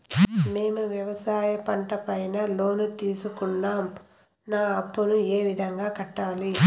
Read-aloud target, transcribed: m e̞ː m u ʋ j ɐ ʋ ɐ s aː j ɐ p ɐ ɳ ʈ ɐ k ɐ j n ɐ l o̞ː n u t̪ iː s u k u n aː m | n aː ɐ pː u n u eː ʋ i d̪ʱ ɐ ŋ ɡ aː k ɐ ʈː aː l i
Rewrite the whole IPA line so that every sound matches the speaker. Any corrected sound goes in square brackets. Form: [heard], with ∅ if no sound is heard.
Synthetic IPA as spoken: m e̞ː m u ʋ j ɐ ʋ ɐ s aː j ɐ p ɐ ɳ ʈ ɐ [p] ɐ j n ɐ l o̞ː n u t̪ iː s u k u [nː] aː m | n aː ɐ pː u n u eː ʋ i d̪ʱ ɐ ŋ ɡ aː k ɐ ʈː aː l i

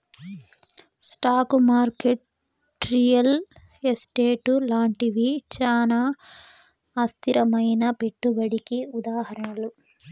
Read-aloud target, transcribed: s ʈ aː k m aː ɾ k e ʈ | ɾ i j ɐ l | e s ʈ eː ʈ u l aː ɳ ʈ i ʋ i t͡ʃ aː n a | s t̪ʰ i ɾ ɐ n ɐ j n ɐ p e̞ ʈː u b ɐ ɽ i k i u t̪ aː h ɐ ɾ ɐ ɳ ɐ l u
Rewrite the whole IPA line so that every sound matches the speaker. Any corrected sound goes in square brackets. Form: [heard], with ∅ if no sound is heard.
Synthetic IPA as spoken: s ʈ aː k m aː ɾ k e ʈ | ɾ i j ɐ l | e s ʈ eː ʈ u l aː ɳ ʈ i ʋ i t͡ʃ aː n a | s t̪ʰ i ɾ ɐ [m] ɐ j n ɐ p e̞ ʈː u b ɐ ɽ i k i u [d̪] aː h ɐ ɾ ɐ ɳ ɐ l u

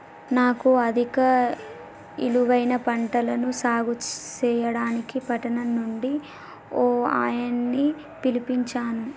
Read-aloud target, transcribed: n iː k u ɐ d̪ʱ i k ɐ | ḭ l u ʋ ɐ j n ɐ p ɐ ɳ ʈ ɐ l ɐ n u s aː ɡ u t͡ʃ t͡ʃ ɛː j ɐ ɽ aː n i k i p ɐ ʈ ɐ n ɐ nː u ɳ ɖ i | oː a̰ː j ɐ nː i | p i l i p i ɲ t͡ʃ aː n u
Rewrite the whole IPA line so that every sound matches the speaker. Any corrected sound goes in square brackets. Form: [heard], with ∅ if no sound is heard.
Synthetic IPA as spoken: n [aː] k u ɐ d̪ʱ i k ɐ | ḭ l u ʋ ɐ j n ɐ p ɐ ɳ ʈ ɐ l ɐ n u s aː ɡ u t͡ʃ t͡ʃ ɛː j ɐ ɽ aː n i k i p ɐ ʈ ɐ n ɐ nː u ɳ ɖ i | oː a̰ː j ɐ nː i | p i l i p i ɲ t͡ʃ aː n u

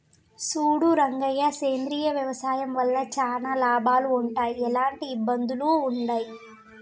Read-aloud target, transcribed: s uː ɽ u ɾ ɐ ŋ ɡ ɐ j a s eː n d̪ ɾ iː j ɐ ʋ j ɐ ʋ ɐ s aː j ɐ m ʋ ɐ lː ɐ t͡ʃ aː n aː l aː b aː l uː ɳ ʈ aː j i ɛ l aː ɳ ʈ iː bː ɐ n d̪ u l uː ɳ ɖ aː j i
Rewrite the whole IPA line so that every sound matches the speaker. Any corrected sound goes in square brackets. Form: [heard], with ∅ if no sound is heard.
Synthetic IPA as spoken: s uː ɽ u ɾ ɐ ŋ ɡ ɐ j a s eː n d̪ ɾ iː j ɐ ʋ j ɐ ʋ ɐ s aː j ɐ m ʋ ɐ lː ɐ t͡ʃ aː n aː l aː b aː l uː ɳ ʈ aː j i ɛ l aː ɳ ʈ iː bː ɐ n d̪ u l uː ɳ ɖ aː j i

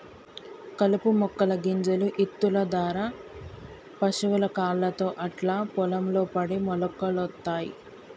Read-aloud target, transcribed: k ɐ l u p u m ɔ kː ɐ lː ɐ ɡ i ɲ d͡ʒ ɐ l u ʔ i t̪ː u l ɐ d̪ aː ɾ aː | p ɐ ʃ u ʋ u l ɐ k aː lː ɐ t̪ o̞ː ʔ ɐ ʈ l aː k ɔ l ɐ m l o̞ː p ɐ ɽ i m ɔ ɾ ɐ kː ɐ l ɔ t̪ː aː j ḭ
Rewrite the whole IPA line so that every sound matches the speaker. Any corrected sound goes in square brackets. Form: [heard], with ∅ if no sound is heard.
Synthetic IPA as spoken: k ɐ l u p u m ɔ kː ɐ [l] ɐ ɡ i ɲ d͡ʒ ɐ l u ʔ i t̪ː u l ɐ d̪ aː ɾ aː | p ɐ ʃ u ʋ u l ɐ k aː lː ɐ t̪ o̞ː ʔ ɐ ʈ l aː [p] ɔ l ɐ m l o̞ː p ɐ ɽ i m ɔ [l] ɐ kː ɐ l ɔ t̪ː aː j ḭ

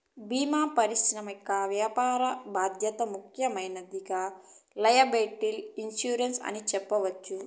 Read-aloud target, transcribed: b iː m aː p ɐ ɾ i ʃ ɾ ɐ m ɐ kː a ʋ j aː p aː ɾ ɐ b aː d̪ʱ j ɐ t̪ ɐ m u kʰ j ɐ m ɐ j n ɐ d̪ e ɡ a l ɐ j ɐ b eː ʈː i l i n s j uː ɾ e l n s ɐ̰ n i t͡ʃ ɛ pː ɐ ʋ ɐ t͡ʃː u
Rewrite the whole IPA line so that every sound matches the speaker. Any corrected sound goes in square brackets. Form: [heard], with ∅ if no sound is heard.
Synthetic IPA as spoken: b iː m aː p ɐ ɾ i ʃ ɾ ɐ m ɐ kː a ʋ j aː p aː ɾ ɐ b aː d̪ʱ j ɐ t̪ ɐ m u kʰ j ɐ m ɐ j n ɐ d̪ [i] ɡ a l ɐ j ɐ b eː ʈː i l i n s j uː ɾ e [∅] n s ɐ̰ n i t͡ʃ ɛ pː ɐ ʋ ɐ t͡ʃː u

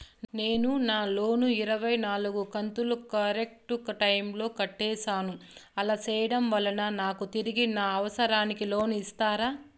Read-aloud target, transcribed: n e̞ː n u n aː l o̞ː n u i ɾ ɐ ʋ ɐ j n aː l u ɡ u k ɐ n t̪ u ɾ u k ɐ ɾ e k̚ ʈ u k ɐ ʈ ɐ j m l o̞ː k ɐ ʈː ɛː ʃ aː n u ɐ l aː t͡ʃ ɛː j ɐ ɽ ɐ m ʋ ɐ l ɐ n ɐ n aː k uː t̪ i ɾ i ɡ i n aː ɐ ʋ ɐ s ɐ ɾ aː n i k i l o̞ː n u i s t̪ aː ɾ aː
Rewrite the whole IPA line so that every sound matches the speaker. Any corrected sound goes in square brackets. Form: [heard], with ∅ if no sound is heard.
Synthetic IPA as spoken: n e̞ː n u n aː l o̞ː n u i ɾ ɐ ʋ ɐ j n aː l u ɡ u k ɐ n t̪ u [l] u k ɐ ɾ e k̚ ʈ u k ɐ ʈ ɐ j m l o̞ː k ɐ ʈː ɛː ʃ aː n u ɐ l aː t͡ʃ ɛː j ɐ ɽ ɐ m ʋ ɐ l ɐ n ɐ n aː k [u] t̪ i ɾ i ɡ i n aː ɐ ʋ ɐ s ɐ ɾ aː n i k i l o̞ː n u i s t̪ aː ɾ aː

